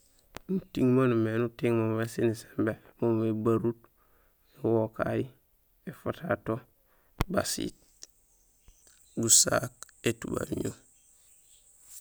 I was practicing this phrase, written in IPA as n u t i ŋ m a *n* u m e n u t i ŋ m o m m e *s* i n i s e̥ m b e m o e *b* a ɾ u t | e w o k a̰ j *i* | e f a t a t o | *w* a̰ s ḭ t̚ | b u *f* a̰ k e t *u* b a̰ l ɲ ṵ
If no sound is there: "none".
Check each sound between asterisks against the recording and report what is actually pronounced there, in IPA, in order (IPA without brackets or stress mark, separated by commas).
n, s, b, i, b, s, u